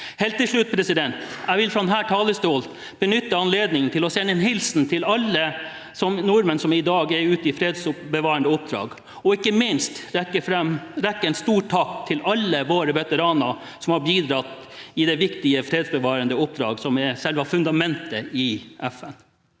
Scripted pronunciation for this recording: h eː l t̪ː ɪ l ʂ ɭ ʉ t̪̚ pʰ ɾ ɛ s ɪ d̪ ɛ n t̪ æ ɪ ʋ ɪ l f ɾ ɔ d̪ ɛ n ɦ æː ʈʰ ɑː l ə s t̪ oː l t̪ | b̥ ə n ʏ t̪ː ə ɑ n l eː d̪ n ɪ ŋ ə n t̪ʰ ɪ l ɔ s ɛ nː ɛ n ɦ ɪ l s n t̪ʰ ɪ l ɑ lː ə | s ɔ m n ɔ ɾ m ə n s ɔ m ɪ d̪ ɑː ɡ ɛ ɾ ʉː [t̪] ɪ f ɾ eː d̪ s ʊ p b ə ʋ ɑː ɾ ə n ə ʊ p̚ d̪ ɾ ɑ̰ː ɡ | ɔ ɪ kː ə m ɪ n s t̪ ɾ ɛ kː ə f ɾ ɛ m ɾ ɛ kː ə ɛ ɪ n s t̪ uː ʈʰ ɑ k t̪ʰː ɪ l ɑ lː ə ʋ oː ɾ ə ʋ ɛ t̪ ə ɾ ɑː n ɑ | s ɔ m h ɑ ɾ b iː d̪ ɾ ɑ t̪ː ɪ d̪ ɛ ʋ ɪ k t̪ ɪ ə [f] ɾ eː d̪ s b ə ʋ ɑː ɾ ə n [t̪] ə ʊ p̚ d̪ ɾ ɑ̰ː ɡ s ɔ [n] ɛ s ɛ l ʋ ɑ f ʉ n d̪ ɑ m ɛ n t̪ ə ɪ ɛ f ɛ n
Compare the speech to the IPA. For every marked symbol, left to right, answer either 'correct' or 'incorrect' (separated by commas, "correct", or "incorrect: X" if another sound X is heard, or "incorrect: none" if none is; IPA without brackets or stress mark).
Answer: correct, correct, incorrect: d̪, incorrect: m